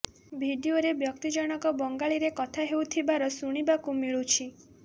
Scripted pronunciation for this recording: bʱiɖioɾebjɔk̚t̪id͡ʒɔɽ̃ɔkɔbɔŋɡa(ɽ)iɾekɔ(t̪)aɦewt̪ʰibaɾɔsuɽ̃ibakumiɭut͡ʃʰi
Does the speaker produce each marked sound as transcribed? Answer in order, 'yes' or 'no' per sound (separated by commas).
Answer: no, no